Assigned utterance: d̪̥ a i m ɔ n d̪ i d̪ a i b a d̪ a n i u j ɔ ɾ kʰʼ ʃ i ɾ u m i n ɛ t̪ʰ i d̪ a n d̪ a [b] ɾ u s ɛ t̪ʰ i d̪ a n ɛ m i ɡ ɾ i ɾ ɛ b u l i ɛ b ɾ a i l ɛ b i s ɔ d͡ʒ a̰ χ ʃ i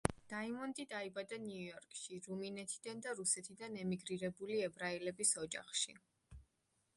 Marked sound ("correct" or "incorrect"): incorrect